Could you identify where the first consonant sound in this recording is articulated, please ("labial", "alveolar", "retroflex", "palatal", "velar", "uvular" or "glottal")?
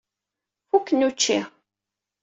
labial